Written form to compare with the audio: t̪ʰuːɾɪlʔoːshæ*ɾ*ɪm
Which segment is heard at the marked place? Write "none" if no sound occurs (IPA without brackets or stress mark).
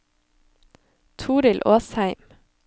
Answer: none